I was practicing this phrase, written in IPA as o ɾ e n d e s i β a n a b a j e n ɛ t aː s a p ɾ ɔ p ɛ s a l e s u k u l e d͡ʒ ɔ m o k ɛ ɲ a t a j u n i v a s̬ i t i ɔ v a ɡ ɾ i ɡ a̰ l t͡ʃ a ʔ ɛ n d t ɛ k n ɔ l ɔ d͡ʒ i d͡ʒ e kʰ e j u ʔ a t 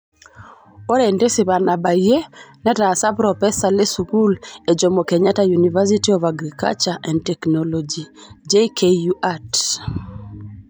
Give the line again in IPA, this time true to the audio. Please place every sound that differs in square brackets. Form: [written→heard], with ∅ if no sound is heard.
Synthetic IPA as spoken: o ɾ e n d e s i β a n a b a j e n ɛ t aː s a p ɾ ɔ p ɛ s a l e s u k u l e d͡ʒ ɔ m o k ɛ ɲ a t a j u n i v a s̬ i t i ɔ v a ɡ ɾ i [ɡ→k] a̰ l t͡ʃ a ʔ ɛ n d t ɛ k n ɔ l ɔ d͡ʒ i d͡ʒ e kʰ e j u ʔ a t